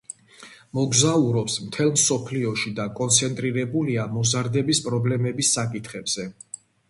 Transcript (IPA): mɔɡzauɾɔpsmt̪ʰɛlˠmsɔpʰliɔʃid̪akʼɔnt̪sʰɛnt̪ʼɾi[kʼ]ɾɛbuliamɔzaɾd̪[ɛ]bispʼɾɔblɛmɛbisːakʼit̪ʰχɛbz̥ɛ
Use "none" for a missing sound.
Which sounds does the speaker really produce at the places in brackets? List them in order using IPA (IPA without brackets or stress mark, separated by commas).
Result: none, ɛ